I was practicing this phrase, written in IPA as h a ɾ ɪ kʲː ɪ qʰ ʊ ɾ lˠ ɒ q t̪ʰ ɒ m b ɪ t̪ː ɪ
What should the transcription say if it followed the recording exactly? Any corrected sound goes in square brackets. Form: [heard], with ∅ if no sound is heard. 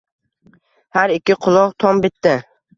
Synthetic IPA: h a ɾ ɪ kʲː ɪ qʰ ʊ [∅] lˠ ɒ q t̪ʰ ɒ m b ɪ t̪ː ɪ